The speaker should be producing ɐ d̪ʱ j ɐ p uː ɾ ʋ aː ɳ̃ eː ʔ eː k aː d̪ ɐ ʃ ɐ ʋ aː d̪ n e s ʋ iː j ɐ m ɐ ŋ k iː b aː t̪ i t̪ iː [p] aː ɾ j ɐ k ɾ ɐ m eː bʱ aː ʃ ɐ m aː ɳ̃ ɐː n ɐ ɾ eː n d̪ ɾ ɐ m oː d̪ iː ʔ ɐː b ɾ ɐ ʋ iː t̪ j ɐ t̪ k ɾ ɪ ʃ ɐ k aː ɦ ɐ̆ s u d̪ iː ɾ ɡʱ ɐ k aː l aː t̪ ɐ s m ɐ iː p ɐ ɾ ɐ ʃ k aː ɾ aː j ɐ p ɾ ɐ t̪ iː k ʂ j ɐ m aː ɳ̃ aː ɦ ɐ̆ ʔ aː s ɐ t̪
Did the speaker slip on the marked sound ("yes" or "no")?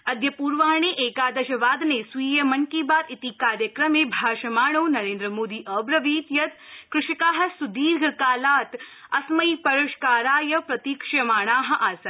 yes